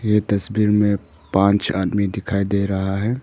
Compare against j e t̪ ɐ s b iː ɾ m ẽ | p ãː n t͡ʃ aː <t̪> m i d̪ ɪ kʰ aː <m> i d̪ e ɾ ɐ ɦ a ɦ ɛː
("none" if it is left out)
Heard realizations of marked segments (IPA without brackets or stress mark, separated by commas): d̪, none